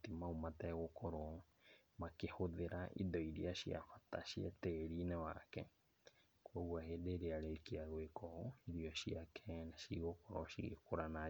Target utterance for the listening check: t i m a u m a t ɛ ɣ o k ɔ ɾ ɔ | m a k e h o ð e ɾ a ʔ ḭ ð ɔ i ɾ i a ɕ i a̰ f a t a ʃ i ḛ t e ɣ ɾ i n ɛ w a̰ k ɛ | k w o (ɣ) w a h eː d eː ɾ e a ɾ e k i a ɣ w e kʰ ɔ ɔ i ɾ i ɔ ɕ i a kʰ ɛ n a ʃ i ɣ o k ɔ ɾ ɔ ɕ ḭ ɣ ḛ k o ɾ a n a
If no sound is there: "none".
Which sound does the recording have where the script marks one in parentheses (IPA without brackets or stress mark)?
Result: ɣ